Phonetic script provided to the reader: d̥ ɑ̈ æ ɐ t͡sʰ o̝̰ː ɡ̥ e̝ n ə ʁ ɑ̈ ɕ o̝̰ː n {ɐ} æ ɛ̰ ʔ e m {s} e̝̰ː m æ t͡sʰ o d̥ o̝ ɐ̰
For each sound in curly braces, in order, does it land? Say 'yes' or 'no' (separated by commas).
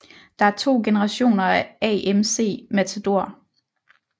yes, yes